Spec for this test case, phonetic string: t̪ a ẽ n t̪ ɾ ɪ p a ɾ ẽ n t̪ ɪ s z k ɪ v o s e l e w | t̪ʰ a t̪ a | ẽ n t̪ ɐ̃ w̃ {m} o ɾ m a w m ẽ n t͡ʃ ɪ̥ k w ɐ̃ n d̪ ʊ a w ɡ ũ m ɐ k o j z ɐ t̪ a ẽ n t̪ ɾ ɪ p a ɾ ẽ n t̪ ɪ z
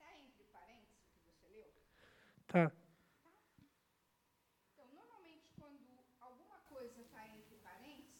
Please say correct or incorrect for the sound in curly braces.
incorrect